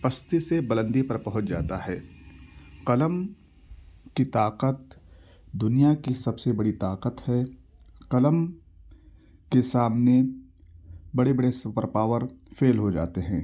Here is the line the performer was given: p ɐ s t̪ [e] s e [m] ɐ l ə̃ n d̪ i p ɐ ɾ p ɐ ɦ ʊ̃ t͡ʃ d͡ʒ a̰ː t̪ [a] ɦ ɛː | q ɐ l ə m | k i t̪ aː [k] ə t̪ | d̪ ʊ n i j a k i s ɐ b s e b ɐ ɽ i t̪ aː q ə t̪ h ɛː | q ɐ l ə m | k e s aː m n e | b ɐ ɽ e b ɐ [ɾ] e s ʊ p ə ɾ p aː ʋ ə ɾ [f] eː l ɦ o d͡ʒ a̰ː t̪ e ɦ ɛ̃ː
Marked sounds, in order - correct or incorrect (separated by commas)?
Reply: incorrect, incorrect, correct, incorrect, incorrect, correct